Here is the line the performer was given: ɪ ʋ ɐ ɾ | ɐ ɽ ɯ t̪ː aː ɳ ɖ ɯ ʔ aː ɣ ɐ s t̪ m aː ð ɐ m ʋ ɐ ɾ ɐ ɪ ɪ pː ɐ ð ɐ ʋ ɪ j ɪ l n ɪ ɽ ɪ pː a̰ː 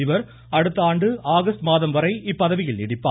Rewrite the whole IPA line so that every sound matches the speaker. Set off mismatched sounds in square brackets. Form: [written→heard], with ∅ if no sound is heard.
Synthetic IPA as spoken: ɪ ʋ ɐ ɾ | ɐ ɽ ɯ t̪ː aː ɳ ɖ ɯ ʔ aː ɣ ɐ s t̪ m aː ð ɐ m ʋ ɐ ɾ ɐ ɪ ɪ pː ɐ ð ɐ ʋ ɪ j ɪ l n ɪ ɽ ɪ pː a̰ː

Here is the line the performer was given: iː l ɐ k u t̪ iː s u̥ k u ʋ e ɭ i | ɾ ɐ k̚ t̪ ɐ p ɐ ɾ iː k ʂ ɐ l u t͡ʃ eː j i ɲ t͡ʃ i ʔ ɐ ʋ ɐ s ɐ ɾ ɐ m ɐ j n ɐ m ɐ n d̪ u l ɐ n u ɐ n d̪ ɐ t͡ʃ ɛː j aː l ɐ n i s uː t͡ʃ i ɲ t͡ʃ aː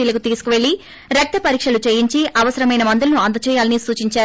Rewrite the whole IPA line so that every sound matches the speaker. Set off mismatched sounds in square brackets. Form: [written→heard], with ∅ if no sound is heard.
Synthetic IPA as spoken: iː l ɐ k u t̪ iː s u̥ k u ʋ e ɭ i | ɾ ɐ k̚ t̪ ɐ p ɐ ɾ iː k ʂ ɐ l u t͡ʃ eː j i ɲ t͡ʃ i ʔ ɐ ʋ ɐ s ɐ ɾ ɐ m ɐ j n ɐ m ɐ n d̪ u l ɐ n u ɐ n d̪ ɐ t͡ʃ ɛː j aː l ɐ n i s uː t͡ʃ i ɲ t͡ʃ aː

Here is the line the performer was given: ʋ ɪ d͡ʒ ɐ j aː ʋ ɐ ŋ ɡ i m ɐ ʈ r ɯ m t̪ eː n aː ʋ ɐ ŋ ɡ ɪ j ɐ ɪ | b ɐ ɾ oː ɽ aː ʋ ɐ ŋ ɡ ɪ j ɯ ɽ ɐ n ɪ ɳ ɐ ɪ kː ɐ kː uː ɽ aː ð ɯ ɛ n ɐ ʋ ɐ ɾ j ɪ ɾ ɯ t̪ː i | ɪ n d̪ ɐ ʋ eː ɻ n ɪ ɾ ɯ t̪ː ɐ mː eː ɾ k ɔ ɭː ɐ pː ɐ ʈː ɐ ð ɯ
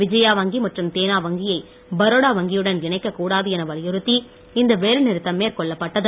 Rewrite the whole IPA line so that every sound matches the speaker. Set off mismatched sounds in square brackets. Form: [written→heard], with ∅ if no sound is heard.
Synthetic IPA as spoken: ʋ ɪ d͡ʒ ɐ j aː ʋ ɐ ŋ ɡ i m ɐ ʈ r ɯ m t̪ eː n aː ʋ ɐ ŋ ɡ ɪ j ɐ ɪ | b ɐ ɾ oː ɽ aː ʋ ɐ ŋ ɡ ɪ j ɯ ɽ ɐ n ɪ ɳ ɐ ɪ kː ɐ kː uː ɽ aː ð ɯ ɛ n ɐ ʋ ɐ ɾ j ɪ ɾ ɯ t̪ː i | ɪ n d̪ ɐ ʋ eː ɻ n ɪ ɾ ɯ t̪ː ɐ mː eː ɾ k ɔ ɭː ɐ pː ɐ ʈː ɐ ð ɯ

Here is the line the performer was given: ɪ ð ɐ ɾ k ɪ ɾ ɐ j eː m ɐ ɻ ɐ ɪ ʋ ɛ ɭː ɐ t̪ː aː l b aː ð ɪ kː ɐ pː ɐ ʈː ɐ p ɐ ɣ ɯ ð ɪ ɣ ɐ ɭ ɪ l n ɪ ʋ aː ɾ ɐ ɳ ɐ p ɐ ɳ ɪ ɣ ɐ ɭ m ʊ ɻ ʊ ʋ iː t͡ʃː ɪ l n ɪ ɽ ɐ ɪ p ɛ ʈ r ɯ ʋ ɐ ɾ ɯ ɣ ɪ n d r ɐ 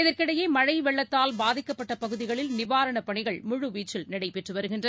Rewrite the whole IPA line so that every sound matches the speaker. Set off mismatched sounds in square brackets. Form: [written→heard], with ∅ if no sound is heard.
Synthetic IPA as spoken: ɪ ð ɐ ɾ k ɪ [ɾ→ɽ] ɐ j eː m ɐ ɻ ɐ ɪ ʋ ɛ ɭː ɐ t̪ː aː l b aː ð ɪ kː ɐ pː ɐ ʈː ɐ p ɐ ɣ ɯ ð ɪ ɣ ɐ ɭ ɪ l n ɪ ʋ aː ɾ ɐ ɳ ɐ p ɐ ɳ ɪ ɣ ɐ ɭ m ʊ ɻ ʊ ʋ iː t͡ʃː ɪ l n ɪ ɽ ɐ ɪ p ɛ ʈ r ɯ ʋ ɐ ɾ ɯ ɣ ɪ n d r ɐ

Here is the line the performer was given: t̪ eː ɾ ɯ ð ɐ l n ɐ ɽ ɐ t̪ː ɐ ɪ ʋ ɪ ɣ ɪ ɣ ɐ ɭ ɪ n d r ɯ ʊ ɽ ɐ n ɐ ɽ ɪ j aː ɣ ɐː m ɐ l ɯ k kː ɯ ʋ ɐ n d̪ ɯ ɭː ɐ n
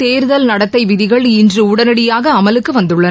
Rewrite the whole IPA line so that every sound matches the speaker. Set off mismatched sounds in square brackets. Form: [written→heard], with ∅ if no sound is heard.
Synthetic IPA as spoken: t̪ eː ɾ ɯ ð ɐ l n ɐ ɽ ɐ t̪ː ɐ ɪ ʋ ɪ [ɣ→ð] ɪ ɣ ɐ ɭ ɪ n d r ɯ ʊ ɽ ɐ n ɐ ɽ ɪ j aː ɣ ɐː m ɐ l ɯ k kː ɯ ʋ ɐ n d̪ ɯ ɭː ɐ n

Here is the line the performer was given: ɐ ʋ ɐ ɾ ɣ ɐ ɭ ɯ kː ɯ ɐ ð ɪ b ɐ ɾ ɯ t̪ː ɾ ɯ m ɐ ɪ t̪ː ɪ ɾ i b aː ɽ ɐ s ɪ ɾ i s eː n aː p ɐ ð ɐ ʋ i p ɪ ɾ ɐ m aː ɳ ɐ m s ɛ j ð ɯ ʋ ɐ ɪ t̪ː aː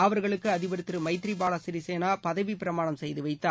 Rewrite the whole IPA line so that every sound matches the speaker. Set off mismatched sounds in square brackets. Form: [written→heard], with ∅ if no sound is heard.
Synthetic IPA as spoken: ɐ ʋ ɐ ɾ ɣ ɐ ɭ ɯ kː ɯ ɐ ð ɪ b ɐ ɾ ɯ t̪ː ɾ ɯ m ɐ ɪ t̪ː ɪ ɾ i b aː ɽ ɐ s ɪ ɾ i s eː n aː p ɐ ð ɐ ʋ i p ɪ ɾ ɐ m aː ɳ ɐ m s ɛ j ð ɯ ʋ ɐ ɪ t̪ː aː

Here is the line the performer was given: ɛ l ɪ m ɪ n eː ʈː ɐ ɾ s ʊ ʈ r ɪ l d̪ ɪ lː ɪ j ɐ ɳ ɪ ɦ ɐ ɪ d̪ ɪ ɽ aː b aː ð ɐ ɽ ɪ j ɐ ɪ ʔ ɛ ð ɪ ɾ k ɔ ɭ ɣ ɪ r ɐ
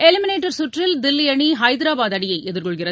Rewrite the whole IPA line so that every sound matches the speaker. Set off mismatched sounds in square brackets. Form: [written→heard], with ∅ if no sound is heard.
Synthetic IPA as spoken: ɛ l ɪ m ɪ n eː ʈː ɐ ɾ s ʊ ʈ r ɪ l d̪ ɪ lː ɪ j ɐ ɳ [ɪ→i] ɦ ɐ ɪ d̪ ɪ [ɽ→ɾ] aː b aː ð ɐ ɽ ɪ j ɐ ɪ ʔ ɛ ð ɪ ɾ k ɔ ɭ ɣ ɪ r ɐ

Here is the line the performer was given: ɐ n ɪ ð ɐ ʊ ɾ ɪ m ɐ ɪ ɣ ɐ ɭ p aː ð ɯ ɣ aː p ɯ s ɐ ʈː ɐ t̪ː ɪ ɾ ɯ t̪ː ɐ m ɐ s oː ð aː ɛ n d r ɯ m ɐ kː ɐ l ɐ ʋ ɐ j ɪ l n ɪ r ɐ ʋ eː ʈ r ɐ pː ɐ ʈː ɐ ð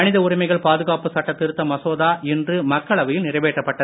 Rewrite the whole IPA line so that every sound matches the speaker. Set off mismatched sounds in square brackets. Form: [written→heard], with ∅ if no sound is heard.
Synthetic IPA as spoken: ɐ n ɪ ð ɐ ʊ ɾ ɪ m ɐ ɪ ɣ ɐ ɭ p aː ð ɯ ɣ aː p ɯ s ɐ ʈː ɐ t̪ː ɪ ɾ ɯ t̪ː ɐ m ɐ s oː ð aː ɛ n d r ɯ m ɐ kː ɐ [l→ɭ] ɐ ʋ ɐ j ɪ l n ɪ r ɐ ʋ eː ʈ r ɐ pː ɐ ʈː ɐ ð

